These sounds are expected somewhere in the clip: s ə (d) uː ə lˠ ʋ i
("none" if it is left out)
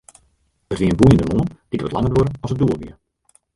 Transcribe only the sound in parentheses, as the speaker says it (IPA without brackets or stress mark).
d